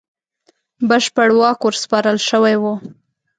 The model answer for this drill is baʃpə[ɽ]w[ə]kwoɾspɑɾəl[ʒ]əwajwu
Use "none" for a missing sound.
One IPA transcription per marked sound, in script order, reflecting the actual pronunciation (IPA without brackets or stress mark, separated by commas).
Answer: ɽ, ɑ, ʃ